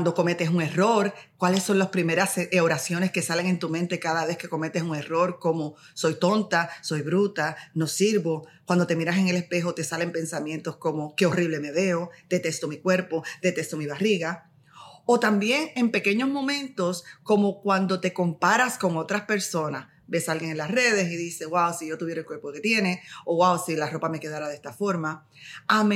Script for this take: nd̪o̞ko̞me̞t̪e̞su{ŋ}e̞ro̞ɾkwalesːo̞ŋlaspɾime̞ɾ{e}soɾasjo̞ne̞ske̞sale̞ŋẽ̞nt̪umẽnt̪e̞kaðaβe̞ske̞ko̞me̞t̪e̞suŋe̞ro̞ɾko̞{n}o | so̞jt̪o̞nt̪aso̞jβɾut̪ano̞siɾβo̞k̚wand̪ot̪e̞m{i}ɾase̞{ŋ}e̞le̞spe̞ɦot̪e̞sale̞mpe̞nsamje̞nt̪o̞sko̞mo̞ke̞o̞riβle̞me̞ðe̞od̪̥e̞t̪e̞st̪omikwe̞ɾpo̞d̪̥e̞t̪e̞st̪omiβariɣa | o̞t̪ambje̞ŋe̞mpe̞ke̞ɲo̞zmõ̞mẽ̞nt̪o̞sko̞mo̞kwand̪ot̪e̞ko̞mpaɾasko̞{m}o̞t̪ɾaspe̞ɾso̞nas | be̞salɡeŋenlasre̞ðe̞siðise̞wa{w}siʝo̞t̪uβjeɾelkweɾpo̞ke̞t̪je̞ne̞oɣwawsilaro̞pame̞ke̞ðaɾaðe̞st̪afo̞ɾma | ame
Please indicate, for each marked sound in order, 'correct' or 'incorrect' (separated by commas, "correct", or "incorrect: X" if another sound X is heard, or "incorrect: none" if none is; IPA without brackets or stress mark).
correct, incorrect: a, incorrect: m, correct, correct, incorrect: ŋ, correct